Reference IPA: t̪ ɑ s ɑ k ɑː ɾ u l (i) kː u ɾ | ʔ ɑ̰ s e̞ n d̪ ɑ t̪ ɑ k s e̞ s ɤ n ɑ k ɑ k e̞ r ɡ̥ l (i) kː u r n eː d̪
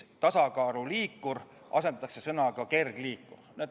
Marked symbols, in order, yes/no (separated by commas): no, no